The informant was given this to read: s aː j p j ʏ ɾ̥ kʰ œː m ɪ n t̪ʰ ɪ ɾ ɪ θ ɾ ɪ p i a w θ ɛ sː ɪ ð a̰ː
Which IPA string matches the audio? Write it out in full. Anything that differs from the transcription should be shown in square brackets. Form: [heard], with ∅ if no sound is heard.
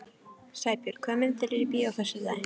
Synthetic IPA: s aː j p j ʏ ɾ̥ kʰ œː m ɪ n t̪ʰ ɪ [l] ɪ [∅] ɾ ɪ p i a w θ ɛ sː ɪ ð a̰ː